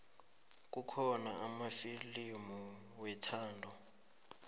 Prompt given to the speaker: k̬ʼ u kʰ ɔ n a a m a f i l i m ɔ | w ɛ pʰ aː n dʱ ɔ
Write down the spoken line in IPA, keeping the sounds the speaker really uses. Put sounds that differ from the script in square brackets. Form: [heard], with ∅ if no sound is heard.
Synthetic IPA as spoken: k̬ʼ u kʰ ɔ n a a m a f i l i m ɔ | w ɛ [tʰ] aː n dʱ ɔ

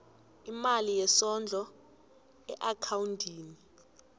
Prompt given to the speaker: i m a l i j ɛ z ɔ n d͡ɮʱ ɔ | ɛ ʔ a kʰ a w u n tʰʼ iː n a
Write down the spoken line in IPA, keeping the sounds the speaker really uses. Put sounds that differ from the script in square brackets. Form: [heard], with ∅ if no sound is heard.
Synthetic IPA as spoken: i m a l i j ɛ [s] ɔ n d͡ɮʱ ɔ | ɛ ʔ a kʰ a w u n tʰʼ iː n [i]

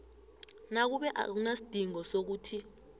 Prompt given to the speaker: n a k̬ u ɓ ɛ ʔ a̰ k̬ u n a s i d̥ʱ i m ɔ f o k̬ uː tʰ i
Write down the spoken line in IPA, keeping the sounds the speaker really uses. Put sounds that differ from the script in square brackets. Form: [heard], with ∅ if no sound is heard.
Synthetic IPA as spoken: n a k̬ u ɓ ɛ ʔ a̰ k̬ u n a s i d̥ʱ i [ŋ] ɔ [s] o k̬ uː tʰ i

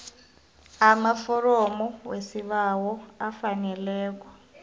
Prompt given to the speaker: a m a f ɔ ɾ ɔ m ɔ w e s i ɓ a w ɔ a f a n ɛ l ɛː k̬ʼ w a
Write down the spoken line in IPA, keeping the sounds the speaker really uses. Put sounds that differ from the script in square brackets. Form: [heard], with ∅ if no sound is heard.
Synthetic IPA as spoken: a m a f ɔ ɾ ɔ m ɔ w e s i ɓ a w ɔ a f a n ɛ l ɛː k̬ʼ w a

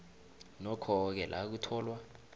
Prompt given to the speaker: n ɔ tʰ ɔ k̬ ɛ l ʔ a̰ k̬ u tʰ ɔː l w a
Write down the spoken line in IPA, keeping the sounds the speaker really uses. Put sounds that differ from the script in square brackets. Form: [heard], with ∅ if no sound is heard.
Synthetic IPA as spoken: n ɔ [kʰ] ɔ k̬ ɛ l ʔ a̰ k̬ u tʰ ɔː l w a

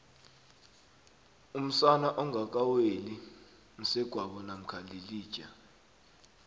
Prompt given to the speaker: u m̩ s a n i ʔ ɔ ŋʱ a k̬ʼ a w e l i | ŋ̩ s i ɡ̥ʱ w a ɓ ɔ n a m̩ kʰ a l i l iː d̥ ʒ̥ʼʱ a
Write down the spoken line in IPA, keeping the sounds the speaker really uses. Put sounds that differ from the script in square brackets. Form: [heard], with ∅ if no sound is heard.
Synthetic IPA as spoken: u m̩ s a n [a] ʔ ɔ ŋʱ a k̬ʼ a w e l i | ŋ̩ s [ɛ] ɡ̥ʱ w a ɓ ɔ n a m̩ kʰ a l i l iː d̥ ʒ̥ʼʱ a

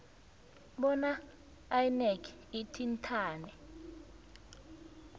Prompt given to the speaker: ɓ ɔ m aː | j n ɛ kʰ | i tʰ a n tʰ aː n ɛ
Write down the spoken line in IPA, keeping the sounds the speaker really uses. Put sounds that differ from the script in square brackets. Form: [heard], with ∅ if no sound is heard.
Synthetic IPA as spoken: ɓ ɔ [n] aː | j n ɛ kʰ | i tʰ [i] n tʰ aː n ɛ

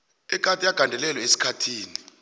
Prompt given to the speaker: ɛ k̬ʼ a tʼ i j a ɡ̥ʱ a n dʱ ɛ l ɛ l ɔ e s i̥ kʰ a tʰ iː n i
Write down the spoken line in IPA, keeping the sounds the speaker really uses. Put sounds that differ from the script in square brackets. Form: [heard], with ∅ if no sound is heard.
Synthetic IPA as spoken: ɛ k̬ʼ a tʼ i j a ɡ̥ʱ a n dʱ ɛ l ɛ l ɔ e s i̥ kʰ a tʰ iː n i

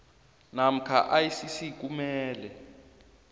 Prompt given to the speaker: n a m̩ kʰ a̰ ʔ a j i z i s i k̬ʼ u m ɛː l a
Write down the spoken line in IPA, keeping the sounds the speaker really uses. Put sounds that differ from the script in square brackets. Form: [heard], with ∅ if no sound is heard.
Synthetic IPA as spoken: n a m̩ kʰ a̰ ʔ a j i [s] i s i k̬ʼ u m ɛː l [ɛ]

